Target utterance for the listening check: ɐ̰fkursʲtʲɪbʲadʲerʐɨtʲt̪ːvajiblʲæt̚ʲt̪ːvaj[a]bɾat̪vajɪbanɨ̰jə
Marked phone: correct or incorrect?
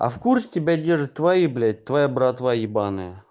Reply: correct